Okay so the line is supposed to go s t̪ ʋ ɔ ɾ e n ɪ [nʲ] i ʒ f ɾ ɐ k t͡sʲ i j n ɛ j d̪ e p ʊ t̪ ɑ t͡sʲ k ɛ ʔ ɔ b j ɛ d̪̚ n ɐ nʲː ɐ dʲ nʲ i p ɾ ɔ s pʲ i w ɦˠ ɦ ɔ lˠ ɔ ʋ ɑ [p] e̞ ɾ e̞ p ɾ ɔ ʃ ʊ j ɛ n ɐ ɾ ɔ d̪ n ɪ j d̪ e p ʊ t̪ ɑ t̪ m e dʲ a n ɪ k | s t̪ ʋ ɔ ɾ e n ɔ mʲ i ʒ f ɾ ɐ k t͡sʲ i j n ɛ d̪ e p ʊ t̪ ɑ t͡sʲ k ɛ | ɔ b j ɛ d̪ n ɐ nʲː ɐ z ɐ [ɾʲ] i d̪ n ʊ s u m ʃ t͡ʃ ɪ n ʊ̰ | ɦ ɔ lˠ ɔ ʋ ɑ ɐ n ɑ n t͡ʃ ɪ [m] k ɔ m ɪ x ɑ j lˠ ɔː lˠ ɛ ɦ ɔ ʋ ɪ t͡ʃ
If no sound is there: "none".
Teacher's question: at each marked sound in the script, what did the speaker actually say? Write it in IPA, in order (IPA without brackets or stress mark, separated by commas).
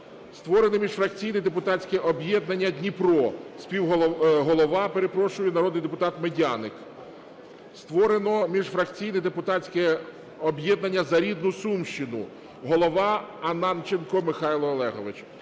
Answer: mʲ, p, ɾʲ, n